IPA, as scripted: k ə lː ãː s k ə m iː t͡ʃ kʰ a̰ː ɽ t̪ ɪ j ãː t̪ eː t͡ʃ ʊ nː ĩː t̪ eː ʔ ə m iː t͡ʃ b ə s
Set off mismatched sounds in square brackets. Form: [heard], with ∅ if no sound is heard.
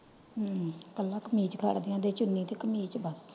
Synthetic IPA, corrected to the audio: k ə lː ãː [∅] k ə m iː t͡ʃ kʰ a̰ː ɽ [d̪] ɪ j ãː [d̪] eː t͡ʃ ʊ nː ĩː t̪ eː [k] ə m iː t͡ʃ b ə s